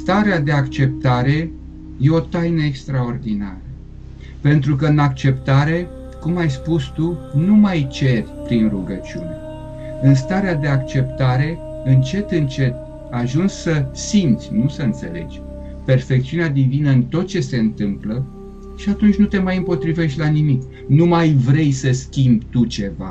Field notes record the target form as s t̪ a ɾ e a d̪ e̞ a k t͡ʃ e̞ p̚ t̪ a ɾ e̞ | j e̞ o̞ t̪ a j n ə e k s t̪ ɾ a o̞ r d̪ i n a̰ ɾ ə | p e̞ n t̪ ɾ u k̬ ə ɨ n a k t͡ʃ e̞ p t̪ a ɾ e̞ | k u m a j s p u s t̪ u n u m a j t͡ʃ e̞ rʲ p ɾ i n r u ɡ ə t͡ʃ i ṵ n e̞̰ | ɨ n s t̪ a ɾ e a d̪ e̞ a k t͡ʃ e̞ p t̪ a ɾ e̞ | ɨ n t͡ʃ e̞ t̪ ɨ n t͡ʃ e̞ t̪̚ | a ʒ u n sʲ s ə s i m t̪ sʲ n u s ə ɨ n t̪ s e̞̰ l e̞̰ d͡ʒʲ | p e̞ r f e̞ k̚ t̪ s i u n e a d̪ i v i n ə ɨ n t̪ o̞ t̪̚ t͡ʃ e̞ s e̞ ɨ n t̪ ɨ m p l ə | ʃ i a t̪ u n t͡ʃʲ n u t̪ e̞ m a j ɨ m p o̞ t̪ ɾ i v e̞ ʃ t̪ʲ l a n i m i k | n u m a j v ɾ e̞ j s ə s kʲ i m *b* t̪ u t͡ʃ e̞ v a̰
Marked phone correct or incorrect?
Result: correct